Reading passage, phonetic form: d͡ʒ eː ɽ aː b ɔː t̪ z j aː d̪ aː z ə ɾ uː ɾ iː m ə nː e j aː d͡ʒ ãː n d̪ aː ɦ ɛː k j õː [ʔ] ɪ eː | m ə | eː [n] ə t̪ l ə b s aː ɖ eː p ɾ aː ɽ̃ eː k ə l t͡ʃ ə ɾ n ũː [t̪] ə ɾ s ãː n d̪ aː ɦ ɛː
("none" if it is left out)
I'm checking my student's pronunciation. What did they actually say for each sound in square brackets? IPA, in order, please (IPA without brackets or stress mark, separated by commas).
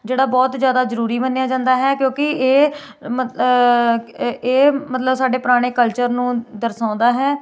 k, m, d̪